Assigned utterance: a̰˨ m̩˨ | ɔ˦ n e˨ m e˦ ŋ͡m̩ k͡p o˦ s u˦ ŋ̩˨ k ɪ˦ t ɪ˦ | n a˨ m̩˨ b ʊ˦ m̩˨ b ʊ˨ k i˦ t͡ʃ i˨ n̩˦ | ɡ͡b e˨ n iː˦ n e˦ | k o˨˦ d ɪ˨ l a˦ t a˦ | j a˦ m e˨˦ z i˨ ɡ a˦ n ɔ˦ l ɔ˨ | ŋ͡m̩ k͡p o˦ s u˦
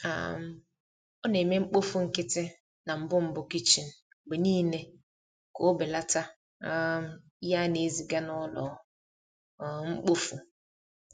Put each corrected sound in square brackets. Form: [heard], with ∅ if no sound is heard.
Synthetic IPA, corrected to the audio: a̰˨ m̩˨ | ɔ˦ n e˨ m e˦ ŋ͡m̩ k͡p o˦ [f] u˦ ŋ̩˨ k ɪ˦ t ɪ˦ | n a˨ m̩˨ b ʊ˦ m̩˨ b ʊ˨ k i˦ t͡ʃ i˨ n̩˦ | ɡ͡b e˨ n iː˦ n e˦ | k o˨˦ [b] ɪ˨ l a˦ t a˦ | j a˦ [n] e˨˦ z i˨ ɡ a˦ n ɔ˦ l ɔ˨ | ŋ͡m̩ k͡p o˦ [f] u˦